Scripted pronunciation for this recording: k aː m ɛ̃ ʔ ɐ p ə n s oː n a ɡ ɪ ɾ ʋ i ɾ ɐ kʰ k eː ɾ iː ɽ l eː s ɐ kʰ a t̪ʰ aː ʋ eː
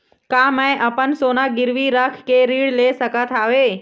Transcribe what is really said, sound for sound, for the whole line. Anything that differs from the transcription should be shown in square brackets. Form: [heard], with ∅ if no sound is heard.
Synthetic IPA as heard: k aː m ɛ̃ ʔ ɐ p ə n s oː n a ɡ ɪ ɾ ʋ i ɾ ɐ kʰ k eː ɾ iː ɽ l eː s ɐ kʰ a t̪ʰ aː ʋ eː